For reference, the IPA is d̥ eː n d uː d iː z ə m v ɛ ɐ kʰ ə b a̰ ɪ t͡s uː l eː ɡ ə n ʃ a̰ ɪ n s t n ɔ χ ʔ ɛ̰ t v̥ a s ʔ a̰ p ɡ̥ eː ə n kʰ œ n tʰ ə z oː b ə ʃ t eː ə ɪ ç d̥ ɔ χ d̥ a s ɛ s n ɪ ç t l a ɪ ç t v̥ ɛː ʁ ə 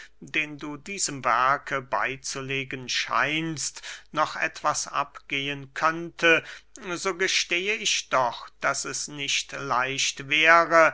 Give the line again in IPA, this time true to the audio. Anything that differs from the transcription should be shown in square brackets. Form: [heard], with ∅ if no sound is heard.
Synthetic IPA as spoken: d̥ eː n d uː d iː z ə m v ɛ ɐ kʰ ə b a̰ ɪ t͡s [u] l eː ɡ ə n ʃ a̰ ɪ n s t n ɔ χ ʔ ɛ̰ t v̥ a s ʔ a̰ p ɡ̥ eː ə n kʰ œ n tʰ ə z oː [ɡ] ə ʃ t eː ə ɪ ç d̥ ɔ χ d̥ a s ɛ s n ɪ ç t l a ɪ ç t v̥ ɛː ʁ ə